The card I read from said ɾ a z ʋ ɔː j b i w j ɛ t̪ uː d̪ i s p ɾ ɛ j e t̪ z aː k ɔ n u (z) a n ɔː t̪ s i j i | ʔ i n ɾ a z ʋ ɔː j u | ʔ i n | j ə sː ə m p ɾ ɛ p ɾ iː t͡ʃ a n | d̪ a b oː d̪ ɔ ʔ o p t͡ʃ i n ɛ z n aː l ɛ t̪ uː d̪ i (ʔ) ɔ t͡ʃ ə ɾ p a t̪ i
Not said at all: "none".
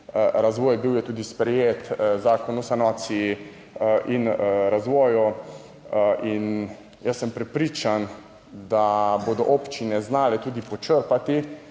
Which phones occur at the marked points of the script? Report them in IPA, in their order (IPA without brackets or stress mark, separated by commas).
s, p